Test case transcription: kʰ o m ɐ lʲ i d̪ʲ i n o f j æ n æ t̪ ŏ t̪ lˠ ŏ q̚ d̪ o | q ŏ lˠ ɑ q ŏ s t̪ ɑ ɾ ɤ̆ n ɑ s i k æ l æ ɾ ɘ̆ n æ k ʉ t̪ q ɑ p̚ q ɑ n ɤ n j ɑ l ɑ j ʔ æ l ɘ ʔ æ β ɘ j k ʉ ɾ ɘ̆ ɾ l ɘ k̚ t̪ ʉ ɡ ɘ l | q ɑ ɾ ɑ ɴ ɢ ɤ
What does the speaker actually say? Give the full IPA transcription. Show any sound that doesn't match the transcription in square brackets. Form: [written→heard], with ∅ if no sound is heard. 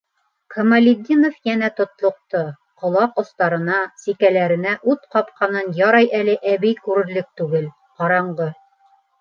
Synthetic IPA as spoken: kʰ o m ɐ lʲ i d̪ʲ i n o f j æ n æ t̪ ŏ t̪ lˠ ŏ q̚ [d̪→t̪] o | q ŏ lˠ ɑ q ŏ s t̪ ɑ ɾ ɤ̆ n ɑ s i k æ l æ ɾ ɘ̆ n æ [k→ʔ] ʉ t̪ q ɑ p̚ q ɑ n ɤ n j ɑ [l→ɾ] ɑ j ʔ æ l ɘ ʔ æ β ɘ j k ʉ ɾ ɘ̆ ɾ l ɘ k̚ t̪ ʉ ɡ ɘ l | q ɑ ɾ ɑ ɴ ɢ ɤ

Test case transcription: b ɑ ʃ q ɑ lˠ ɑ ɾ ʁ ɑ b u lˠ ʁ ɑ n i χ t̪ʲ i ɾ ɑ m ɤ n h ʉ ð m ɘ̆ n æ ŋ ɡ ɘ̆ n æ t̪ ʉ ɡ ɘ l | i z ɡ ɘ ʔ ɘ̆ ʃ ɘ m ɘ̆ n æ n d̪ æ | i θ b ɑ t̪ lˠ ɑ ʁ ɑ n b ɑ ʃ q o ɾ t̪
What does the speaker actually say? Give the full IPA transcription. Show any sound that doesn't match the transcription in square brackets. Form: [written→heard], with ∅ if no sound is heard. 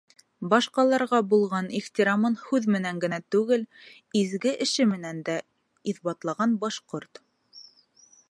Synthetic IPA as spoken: b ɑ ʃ q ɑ lˠ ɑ ɾ ʁ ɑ b u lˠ ʁ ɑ n i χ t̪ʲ i ɾ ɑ m ɤ n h ʉ ð m ɘ̆ n æ ŋ ɡ ɘ̆ n æ t̪ ʉ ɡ ɘ l | i z ɡ ɘ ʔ ɘ̆ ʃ ɘ m ɘ̆ n æ n d̪ æ | i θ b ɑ t̪ lˠ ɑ ʁ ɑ n b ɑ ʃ q o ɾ t̪

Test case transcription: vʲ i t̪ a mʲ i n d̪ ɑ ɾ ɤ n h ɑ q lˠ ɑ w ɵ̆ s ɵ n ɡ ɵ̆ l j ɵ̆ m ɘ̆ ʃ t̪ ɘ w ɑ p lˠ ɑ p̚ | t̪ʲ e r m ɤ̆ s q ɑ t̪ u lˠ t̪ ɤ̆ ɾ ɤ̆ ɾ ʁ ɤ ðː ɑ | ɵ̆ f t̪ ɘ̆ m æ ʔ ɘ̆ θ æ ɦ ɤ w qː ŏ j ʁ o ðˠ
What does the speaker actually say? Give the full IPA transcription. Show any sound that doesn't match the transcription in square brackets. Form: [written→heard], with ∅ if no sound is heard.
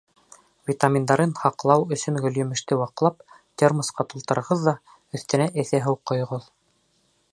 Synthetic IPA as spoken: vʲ i t̪ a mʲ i n d̪ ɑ ɾ ɤ n h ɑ q lˠ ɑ w ɵ̆ s ɵ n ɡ ɵ̆ l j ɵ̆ m ɘ̆ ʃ t̪ ɘ w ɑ [p→q] lˠ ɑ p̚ | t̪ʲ e r m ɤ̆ s q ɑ t̪ u lˠ t̪ ɤ̆ ɾ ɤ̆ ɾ ʁ ɤ ðː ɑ | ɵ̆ [f→θ] t̪ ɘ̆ [m→n] æ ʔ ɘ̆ θ æ ɦ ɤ w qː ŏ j ʁ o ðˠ

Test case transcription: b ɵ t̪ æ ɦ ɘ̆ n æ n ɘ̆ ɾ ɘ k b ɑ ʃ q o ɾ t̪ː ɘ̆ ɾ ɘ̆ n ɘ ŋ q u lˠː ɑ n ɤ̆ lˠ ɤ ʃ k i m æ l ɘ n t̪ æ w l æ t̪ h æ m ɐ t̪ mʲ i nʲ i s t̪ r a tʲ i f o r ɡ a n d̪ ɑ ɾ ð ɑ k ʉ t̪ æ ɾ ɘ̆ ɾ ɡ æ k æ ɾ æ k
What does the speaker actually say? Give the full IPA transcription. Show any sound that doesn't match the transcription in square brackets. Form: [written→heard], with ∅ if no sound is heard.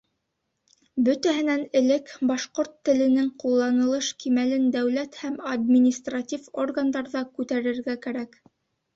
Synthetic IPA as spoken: b ɵ t̪ æ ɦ ɘ̆ n æ n ɘ̆ [ɾ→l] ɘ k b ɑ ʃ q o ɾ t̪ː ɘ̆ [ɾ→l] ɘ̆ n ɘ ŋ q u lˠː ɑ n ɤ̆ lˠ ɤ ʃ k i m æ l ɘ n [t̪→d̪] æ w l æ t̪ h æ m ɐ [t̪→d̪] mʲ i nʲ i s t̪ r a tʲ i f o r ɡ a n d̪ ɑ ɾ ð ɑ k ʉ t̪ æ ɾ ɘ̆ ɾ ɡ æ k æ ɾ æ k

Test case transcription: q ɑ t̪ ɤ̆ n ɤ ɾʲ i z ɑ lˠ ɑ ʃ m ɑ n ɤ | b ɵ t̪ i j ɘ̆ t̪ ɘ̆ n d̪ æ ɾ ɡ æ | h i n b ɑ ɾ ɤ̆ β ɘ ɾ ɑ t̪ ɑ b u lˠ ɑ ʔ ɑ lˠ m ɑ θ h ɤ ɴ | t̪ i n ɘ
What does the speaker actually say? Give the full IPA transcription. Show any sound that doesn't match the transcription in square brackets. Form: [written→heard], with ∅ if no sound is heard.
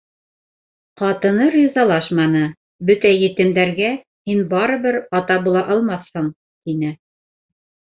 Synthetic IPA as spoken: q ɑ t̪ ɤ̆ n ɤ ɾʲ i z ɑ lˠ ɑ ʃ m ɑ n ɤ | b ɵ t̪ [i→æ] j ɘ̆ t̪ ɘ̆ [n→m] d̪ æ ɾ ɡ æ | h i n b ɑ ɾ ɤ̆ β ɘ ɾ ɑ t̪ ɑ b u lˠ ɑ ʔ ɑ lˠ m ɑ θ h ɤ ɴ | t̪ i n ɘ

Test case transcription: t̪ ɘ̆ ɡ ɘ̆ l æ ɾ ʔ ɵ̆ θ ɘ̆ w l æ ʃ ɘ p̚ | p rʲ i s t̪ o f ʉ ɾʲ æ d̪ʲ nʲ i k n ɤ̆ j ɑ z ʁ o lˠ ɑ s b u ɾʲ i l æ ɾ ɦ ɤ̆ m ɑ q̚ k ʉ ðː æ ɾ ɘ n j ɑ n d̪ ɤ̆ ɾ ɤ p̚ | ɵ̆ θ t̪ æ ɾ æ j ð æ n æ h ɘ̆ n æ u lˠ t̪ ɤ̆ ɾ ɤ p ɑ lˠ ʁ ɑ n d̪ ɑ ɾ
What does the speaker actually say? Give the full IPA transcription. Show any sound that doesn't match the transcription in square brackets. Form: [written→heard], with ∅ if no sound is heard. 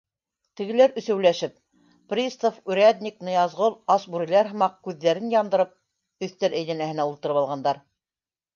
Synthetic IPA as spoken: t̪ ɘ̆ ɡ ɘ̆ l æ ɾ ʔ ɵ̆ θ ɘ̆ w l æ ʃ ɘ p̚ | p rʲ i s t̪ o f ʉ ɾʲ æ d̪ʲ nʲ i k n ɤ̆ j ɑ z ʁ o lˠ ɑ s b u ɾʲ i l æ ɾ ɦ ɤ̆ m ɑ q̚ k ʉ ðː æ ɾ ɘ n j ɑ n d̪ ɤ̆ ɾ ɤ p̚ | ɵ̆ θ t̪ æ ɾ æ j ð æ n æ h ɘ̆ n æ u lˠ t̪ ɤ̆ ɾ ɤ p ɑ lˠ ʁ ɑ n d̪ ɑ ɾ

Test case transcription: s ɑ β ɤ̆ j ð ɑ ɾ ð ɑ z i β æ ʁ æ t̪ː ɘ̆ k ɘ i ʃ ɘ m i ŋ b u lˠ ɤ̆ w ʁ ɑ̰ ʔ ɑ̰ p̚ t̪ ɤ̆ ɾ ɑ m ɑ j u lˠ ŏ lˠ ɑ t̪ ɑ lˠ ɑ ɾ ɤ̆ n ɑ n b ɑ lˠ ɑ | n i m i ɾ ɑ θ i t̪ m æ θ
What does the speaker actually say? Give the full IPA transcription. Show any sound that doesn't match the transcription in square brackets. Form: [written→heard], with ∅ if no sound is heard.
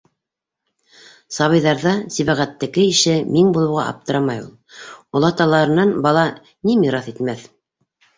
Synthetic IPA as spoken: s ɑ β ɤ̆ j ð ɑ ɾ ð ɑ [z→s] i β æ ʁ æ t̪ː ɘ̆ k ɘ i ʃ ɘ m i ŋ b u lˠ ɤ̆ w ʁ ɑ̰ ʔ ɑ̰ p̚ t̪ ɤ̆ ɾ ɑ m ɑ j u lˠ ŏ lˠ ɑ t̪ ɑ lˠ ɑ ɾ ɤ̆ n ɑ n b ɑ lˠ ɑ | n i m i ɾ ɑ θ i t̪ m æ θ

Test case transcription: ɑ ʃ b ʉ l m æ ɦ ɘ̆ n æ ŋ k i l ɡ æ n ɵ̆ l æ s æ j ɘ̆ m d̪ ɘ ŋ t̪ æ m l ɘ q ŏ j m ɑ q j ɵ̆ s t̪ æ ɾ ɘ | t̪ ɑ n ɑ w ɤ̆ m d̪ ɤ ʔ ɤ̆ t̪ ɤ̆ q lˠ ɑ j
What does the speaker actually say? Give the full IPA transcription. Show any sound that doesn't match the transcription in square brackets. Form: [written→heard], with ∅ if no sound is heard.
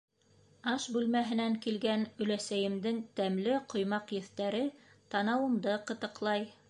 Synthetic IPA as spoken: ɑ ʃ b ʉ l m æ ɦ ɘ̆ n æ ŋ k i l ɡ æ n ɵ̆ l æ s æ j ɘ̆ m d̪ ɘ ŋ t̪ æ m l ɘ q ŏ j m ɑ q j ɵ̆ [s→θ] t̪ æ ɾ ɘ | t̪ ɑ n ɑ w ɤ̆ m d̪ ɤ [ʔ→q] ɤ̆ t̪ ɤ̆ q lˠ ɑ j

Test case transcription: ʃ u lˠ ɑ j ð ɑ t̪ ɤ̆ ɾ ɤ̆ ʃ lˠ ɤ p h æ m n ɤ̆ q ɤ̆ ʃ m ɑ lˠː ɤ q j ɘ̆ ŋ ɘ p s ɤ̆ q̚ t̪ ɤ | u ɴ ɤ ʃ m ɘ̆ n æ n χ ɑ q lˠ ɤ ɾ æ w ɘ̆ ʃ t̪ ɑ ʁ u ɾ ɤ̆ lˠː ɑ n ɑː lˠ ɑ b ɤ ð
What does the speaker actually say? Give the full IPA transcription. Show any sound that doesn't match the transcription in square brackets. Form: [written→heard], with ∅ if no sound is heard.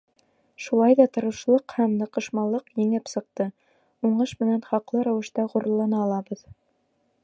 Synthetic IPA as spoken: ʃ u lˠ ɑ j ð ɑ t̪ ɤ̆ ɾ ɤ̆ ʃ lˠ ɤ [p→q] h æ m n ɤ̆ q ɤ̆ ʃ m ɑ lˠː ɤ q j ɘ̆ ŋ ɘ p s ɤ̆ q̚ t̪ ɤ | u ɴ ɤ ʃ m ɘ̆ n æ n χ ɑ q lˠ ɤ ɾ æ w ɘ̆ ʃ t̪ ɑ ʁ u ɾ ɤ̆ lˠː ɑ n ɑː lˠ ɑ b ɤ ð

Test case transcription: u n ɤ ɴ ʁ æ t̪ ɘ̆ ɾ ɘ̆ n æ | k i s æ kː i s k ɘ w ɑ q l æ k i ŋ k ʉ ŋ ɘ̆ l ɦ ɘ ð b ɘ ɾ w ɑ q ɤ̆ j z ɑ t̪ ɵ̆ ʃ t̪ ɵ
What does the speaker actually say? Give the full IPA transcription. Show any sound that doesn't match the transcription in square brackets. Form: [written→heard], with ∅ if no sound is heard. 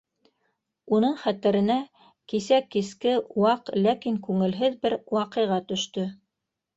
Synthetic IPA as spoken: u n ɤ ɴ [ʁ→χ] æ t̪ ɘ̆ ɾ ɘ̆ n æ | k i s æ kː i s k ɘ w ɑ q l æ k i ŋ k ʉ ŋ ɘ̆ l ɦ ɘ ð b ɘ ɾ w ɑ q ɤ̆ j [z→ʁ] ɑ t̪ ɵ̆ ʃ t̪ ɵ

